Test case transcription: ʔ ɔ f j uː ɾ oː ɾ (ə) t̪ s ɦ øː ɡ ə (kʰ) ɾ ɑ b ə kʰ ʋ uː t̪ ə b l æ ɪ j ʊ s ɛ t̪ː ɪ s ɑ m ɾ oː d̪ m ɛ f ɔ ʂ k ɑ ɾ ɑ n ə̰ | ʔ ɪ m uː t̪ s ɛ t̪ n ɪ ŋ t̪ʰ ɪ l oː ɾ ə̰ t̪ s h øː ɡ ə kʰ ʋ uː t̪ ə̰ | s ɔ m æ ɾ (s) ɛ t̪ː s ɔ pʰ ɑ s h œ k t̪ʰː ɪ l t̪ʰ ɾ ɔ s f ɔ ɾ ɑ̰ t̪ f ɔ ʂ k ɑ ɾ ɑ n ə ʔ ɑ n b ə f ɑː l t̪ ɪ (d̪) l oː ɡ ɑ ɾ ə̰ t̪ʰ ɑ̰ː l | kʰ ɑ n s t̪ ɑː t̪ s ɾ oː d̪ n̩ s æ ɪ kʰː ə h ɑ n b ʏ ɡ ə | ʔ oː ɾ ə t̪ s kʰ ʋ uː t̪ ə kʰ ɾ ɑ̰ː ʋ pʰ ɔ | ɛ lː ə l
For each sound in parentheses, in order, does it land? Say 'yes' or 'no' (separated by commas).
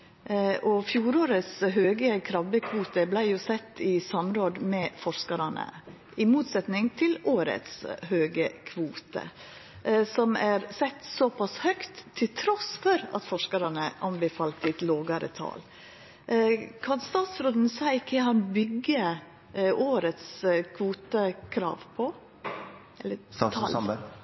yes, yes, yes, no